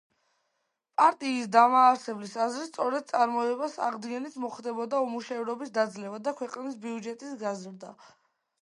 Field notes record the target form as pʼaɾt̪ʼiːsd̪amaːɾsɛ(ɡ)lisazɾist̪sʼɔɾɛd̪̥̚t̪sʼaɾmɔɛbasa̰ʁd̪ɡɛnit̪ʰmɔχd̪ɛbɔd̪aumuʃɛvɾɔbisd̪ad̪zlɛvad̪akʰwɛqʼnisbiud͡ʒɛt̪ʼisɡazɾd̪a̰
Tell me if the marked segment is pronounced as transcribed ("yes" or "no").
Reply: no